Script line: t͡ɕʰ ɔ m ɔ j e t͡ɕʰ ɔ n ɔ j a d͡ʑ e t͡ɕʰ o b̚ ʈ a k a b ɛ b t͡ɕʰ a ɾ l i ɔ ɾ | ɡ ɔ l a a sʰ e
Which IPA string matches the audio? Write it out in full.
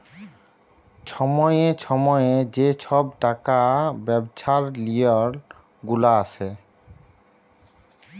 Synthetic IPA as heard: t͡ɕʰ ɔ m ɔ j e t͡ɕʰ ɔ m ɔ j e d͡ʑ e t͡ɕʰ ɔ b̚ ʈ a k a b ɛ b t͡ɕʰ a ɾ l i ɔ ɾ | ɡ u l a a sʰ e